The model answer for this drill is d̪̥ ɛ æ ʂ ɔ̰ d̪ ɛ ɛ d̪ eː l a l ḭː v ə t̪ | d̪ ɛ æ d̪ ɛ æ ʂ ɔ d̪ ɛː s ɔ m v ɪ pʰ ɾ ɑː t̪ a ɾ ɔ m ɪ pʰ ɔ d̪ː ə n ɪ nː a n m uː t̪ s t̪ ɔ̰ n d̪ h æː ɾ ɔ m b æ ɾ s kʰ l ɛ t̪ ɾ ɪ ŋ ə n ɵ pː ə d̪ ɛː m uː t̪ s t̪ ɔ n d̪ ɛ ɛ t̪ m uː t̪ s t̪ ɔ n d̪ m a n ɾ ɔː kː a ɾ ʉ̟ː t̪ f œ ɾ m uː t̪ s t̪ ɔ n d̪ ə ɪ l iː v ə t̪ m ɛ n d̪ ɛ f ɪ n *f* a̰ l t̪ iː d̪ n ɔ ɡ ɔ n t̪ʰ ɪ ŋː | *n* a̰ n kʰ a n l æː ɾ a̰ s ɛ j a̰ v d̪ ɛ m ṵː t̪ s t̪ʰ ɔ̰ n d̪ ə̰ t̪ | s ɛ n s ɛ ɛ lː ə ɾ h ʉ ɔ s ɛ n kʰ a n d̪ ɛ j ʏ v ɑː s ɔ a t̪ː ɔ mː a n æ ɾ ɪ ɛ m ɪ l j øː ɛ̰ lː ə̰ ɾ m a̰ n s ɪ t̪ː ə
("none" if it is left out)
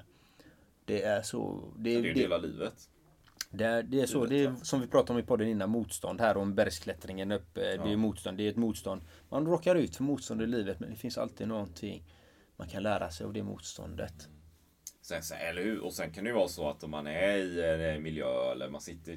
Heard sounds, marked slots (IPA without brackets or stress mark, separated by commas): s, m